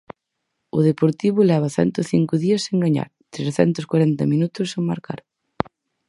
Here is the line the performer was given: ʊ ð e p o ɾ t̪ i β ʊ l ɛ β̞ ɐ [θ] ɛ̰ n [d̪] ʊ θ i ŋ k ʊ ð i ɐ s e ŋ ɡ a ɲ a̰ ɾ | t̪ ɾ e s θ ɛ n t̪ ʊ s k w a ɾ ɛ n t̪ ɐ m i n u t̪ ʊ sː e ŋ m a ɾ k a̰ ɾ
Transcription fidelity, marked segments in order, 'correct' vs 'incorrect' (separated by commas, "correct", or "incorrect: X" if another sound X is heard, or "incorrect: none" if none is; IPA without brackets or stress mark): correct, incorrect: t̪